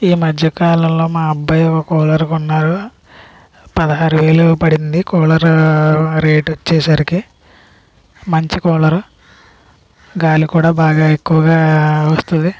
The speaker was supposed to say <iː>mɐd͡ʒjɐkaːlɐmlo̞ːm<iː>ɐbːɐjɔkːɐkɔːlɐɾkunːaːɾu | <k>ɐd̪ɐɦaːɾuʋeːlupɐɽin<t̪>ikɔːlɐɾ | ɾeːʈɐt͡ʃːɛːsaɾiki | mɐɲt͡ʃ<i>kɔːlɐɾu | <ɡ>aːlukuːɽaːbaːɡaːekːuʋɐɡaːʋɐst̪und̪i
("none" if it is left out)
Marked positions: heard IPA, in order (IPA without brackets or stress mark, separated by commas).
iː, aː, p, d̪, i, ɡ